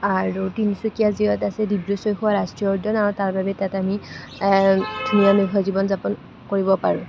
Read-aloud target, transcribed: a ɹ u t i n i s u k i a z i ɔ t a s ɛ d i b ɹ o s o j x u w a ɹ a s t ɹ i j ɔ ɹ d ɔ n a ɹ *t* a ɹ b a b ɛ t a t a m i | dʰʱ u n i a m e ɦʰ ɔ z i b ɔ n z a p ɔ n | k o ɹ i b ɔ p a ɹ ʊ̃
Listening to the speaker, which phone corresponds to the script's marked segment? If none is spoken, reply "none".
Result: t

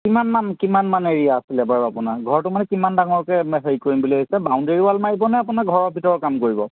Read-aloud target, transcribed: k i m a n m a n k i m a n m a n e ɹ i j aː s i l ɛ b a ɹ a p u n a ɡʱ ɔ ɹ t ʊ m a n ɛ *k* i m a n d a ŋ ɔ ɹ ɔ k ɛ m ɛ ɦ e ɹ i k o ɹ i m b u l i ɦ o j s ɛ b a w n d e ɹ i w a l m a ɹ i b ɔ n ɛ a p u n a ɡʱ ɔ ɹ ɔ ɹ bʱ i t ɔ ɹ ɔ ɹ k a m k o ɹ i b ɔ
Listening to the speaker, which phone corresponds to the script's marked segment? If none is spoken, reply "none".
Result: k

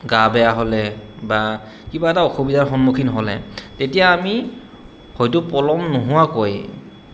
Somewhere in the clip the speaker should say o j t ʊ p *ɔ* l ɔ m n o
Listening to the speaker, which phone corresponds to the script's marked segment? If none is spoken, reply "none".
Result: ɔ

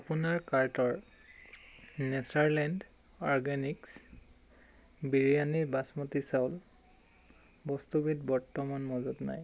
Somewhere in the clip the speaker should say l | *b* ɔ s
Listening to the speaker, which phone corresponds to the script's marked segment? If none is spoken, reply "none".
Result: b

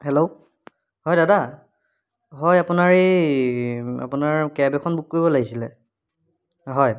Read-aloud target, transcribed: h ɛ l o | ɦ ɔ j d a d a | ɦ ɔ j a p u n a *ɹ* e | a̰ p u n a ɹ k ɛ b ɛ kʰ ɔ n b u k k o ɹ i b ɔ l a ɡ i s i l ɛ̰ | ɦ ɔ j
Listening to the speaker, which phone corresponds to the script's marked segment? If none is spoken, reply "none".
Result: ɹ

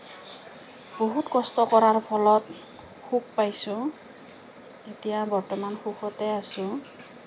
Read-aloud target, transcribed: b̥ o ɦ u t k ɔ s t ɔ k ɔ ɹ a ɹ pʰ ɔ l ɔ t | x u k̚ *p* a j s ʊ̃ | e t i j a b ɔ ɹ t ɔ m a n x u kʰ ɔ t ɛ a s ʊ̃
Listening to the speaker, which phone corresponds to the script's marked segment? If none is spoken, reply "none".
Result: p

